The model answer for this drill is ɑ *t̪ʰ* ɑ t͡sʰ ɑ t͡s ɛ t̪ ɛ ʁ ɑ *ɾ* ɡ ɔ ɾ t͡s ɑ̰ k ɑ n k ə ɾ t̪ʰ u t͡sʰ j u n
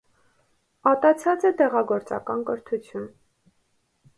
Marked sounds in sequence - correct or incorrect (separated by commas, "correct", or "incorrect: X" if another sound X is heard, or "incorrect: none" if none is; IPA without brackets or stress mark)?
incorrect: t̪, incorrect: none